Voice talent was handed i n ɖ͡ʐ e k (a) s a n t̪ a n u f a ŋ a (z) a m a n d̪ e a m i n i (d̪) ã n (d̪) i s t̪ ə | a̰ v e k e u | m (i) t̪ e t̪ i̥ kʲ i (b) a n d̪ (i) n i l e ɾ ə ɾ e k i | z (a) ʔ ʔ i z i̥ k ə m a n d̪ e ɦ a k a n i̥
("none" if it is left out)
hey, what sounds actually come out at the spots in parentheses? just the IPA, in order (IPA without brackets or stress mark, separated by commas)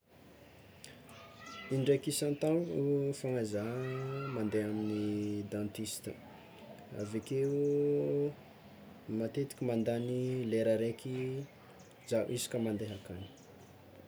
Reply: i, z, d̪, t̪, a, m, a, a